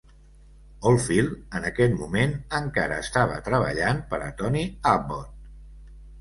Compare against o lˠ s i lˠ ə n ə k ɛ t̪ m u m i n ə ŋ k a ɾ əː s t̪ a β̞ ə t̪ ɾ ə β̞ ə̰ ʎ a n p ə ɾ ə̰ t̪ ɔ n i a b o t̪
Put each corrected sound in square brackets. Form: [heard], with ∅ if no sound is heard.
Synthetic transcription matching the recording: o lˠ [f] i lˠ ə n ə k ɛ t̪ m u m [e] n ə ŋ k a ɾ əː s t̪ a β̞ ə t̪ ɾ ə β̞ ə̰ ʎ a n p ə ɾ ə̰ t̪ ɔ n i a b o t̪